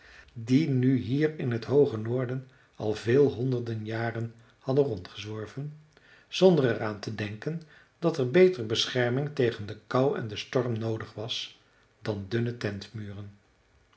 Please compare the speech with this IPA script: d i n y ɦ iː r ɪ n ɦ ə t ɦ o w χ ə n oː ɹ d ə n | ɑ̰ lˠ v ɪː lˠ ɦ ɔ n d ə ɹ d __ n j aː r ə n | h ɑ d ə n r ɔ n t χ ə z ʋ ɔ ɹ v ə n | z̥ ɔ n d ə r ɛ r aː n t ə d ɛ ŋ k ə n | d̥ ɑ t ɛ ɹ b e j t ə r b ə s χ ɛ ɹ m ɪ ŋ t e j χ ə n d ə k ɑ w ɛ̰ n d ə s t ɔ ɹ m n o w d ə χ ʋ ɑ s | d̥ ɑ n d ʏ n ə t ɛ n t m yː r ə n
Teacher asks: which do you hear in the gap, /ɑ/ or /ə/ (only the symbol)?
ə